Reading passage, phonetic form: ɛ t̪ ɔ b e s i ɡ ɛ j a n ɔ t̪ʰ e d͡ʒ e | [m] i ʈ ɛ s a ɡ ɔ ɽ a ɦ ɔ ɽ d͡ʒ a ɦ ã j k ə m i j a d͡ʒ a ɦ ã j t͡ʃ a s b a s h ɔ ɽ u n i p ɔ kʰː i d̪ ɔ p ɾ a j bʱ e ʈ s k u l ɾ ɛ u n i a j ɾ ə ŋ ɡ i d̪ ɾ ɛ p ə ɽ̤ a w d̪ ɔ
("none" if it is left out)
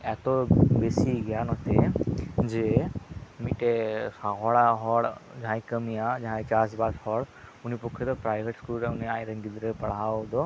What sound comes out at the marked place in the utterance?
m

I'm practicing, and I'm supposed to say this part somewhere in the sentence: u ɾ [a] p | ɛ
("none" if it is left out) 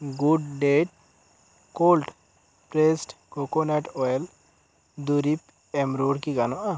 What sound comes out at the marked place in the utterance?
i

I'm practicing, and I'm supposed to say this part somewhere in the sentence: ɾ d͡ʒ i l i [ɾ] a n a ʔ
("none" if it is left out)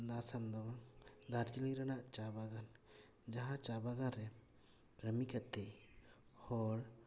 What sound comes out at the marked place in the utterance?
ɾ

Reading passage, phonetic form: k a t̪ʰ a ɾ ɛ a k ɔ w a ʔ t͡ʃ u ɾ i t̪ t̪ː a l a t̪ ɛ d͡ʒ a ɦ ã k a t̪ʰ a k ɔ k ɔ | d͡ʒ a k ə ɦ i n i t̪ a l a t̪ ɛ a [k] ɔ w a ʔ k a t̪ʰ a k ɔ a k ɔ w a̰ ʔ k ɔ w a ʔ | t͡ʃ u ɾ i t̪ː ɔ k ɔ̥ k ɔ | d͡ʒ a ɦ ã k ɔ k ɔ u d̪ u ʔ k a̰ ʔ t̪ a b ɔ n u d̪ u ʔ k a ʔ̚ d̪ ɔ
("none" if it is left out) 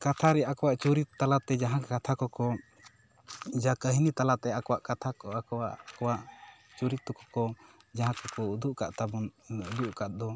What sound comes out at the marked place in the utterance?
k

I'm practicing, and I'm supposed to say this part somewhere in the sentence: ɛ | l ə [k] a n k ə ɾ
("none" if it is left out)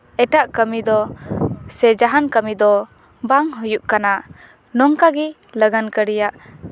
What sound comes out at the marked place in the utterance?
ɡ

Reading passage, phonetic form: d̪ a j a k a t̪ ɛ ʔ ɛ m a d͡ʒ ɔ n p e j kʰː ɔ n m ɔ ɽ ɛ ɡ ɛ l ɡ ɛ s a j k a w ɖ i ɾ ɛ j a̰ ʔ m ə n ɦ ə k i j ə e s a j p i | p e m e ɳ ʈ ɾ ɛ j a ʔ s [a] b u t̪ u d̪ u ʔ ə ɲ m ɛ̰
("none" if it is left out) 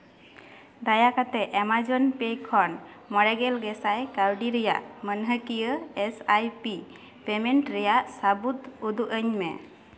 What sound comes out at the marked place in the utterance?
a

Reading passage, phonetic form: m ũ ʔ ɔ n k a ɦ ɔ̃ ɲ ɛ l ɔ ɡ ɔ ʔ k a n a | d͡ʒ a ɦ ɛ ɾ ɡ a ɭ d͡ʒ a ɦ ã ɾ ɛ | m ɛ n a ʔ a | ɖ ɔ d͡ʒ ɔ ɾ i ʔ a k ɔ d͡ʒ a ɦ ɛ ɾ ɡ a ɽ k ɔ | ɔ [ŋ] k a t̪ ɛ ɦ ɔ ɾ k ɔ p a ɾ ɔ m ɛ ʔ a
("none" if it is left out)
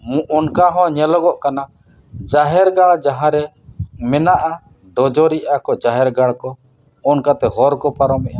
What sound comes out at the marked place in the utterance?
n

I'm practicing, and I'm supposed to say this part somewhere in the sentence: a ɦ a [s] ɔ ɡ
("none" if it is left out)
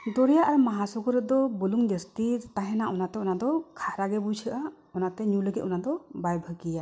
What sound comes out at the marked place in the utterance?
s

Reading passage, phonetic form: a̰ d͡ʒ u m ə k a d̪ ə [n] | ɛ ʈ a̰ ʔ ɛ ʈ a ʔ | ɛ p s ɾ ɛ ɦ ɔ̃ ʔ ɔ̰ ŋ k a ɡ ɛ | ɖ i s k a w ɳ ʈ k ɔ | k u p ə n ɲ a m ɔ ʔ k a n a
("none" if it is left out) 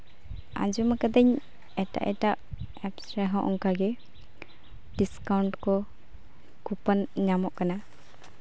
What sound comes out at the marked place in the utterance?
ɲ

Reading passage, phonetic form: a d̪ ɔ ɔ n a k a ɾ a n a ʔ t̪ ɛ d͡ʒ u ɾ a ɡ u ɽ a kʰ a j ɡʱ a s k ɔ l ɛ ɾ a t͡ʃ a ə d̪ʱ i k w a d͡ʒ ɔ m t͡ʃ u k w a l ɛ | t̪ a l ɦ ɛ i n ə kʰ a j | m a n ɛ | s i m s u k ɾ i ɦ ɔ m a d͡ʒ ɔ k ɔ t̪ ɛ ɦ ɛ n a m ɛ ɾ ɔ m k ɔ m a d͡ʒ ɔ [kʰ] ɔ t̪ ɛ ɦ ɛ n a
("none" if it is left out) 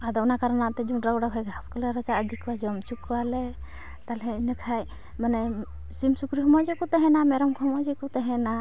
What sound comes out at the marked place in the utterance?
k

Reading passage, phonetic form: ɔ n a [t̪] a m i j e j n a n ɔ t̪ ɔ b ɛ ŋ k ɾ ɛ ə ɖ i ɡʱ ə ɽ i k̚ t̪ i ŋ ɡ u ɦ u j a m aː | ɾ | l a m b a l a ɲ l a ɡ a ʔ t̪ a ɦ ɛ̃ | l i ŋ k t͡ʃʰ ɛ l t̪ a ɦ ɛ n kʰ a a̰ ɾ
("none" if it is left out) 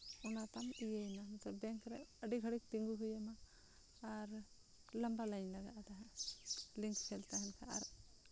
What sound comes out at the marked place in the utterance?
t̪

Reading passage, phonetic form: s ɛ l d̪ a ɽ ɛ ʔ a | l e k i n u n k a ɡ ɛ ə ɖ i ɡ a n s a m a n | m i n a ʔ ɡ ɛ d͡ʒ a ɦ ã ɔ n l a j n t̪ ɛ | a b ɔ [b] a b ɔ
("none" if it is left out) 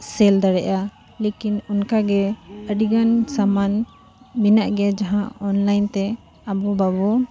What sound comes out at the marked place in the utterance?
b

